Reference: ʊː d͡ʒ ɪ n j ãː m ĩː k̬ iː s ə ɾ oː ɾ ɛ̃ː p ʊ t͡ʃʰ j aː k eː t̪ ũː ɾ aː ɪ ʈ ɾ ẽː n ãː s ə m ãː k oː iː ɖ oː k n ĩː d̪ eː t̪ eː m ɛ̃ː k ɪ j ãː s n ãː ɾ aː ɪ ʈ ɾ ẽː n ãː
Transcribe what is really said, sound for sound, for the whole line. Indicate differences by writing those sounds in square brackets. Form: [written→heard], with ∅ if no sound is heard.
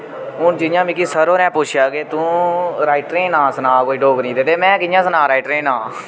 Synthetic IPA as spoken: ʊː d͡ʒ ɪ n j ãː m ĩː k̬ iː s ə ɾ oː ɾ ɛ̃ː p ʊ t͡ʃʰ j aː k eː t̪ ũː ɾ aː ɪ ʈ ɾ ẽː n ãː s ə [m→n] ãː k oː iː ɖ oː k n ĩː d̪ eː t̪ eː m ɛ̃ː k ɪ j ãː s n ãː ɾ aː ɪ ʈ ɾ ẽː n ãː